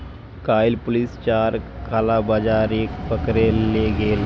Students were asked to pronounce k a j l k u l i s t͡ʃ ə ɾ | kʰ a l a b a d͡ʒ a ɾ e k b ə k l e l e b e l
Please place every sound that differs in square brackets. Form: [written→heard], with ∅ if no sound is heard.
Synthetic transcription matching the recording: k a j l [k→p] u l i s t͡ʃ [ə→a] ɾ | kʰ a l a b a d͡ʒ a ɾ e k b ə k [l→ɾ] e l e [b→ɡ] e l